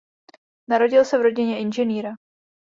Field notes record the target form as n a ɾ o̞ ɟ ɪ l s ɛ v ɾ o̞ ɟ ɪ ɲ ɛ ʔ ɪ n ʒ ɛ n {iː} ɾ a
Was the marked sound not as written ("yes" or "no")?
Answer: no